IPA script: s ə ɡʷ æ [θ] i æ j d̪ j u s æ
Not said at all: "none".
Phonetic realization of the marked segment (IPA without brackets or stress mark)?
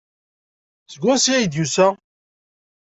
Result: s